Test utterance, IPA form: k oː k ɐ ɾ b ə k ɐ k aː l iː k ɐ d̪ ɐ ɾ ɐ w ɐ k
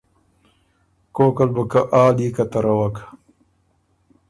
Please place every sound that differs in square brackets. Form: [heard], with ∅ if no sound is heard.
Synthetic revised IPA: k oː k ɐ [l] b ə k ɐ [ʔ] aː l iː k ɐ [t̪] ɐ ɾ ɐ w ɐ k